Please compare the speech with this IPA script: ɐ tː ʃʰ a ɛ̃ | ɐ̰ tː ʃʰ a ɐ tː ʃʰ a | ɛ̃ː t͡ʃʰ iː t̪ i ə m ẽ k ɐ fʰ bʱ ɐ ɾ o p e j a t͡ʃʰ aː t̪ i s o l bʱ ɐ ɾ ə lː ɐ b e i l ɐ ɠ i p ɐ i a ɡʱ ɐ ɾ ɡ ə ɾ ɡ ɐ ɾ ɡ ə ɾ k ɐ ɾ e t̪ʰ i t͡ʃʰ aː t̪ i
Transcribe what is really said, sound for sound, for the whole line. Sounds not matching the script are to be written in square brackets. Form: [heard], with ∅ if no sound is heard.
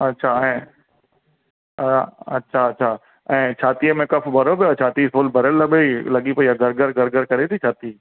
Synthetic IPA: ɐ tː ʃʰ a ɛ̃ | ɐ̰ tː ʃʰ a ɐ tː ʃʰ a | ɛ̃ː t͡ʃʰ [aː] t̪ i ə m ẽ k ɐ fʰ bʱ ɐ ɾ o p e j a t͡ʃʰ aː t̪ i s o l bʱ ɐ ɾ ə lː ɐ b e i l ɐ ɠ i p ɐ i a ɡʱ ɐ ɾ ɡ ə ɾ ɡ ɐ ɾ ɡ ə ɾ k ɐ ɾ e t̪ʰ i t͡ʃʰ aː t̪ i